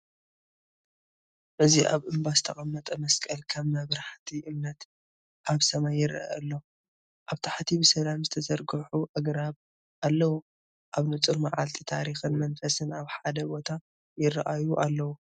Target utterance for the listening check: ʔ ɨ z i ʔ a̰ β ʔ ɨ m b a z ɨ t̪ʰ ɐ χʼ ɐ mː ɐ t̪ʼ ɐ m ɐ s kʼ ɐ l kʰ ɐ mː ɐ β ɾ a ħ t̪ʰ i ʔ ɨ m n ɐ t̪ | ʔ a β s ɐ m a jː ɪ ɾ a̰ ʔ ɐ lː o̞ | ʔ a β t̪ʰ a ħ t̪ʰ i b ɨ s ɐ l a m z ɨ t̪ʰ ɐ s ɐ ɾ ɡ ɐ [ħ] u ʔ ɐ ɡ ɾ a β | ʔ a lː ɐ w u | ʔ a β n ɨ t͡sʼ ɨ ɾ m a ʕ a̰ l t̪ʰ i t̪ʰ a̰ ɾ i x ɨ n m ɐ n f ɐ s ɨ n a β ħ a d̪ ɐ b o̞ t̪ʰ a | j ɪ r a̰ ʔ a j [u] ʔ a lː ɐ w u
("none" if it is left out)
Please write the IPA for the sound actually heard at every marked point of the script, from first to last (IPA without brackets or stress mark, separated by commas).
ħ, u